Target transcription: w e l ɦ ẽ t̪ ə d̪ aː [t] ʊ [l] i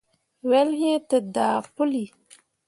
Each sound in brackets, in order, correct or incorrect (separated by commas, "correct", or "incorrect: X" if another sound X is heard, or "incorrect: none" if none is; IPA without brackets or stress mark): incorrect: p, correct